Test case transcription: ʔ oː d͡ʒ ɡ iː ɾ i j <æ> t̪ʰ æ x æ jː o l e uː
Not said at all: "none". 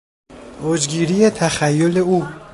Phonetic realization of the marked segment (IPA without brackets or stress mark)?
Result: e